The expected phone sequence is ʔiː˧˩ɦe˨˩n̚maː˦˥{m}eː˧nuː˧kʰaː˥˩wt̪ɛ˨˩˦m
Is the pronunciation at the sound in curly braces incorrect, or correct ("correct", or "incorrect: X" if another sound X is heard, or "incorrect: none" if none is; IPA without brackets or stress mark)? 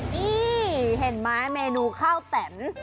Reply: correct